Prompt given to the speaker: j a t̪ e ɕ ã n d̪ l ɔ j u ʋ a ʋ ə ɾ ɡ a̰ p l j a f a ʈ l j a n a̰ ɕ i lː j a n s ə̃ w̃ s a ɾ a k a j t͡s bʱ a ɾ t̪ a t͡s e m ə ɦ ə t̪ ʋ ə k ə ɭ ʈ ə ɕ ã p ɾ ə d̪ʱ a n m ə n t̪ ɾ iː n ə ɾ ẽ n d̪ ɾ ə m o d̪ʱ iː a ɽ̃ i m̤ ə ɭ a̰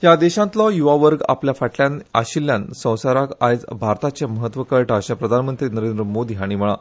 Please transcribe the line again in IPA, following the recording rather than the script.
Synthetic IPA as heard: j a d̪ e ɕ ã n t̪ l ɔ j u ʋ a ʋ ə ɾ ɡ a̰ p l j a f a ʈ l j a n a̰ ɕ i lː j a n s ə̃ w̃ s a ɾ a k a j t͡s bʱ a ɾ t̪ a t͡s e m ə ɦ ə t̪ ʋ ə k ə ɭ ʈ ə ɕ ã p ɾ ə d̪ʱ a n m ə n t̪ ɾ iː n ə ɾ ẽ n d̪ ɾ ə m o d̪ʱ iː a ɽ̃ i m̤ ə ɭ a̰